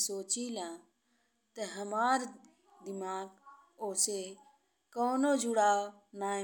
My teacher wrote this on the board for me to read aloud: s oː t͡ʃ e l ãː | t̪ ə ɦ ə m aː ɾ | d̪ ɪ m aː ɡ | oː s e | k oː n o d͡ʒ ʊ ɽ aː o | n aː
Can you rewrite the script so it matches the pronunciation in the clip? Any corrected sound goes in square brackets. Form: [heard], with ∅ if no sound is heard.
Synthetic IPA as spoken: s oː t͡ʃ [i] l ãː | t̪ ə ɦ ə m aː ɾ | d̪ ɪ m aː ɡ | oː s e | k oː n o d͡ʒ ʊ ɽ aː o | n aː